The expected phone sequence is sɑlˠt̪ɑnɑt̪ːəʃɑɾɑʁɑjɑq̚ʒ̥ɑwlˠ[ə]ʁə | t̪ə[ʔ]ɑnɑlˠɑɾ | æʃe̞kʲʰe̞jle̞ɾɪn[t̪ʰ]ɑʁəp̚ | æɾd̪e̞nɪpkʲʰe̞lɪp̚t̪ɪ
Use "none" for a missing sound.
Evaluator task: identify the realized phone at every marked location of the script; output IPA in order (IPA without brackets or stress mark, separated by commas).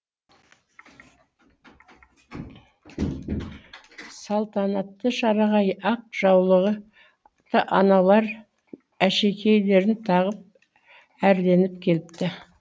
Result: ə, ʔ, t̪ʰ